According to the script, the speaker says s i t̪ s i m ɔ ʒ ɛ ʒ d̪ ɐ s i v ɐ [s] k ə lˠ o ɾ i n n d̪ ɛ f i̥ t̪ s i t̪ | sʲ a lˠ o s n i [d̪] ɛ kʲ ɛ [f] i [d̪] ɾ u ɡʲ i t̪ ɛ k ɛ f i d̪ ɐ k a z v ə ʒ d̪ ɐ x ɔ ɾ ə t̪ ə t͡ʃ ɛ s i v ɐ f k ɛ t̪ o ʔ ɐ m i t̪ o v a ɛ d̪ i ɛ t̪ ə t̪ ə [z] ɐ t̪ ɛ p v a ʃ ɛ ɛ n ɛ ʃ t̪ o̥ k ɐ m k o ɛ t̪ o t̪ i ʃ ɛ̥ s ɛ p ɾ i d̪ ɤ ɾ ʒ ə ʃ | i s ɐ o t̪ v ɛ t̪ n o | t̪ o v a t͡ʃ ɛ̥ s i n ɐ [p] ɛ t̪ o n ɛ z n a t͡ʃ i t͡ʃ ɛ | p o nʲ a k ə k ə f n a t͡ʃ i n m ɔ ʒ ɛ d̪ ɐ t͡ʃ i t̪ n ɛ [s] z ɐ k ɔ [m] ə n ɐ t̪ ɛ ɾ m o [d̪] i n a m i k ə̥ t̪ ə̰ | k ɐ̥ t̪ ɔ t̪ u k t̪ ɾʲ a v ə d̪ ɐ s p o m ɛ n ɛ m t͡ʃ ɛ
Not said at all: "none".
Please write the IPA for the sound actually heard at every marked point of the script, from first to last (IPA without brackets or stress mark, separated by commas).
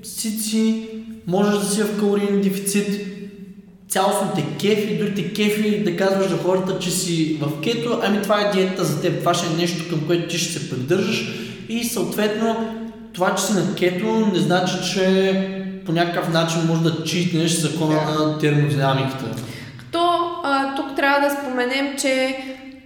f, t̪, f, d̪, z, k, ʃ, n, d̪